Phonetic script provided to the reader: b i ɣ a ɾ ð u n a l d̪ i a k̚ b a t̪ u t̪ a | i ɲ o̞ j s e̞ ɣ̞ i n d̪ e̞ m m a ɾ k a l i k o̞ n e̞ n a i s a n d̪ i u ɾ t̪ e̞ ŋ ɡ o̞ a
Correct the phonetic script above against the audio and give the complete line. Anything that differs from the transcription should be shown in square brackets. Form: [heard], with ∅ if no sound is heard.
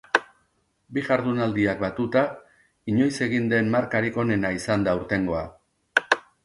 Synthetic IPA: b i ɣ a ɾ ð u n a l d̪ i a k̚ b a t̪ u t̪ a | i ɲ o̞ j s e̞ ɣ̞ i n d̪ e̞ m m a ɾ k a [ɾ] i k o̞ n e̞ n a i s a n d̪ [a] u ɾ t̪ e̞ ŋ ɡ o̞ a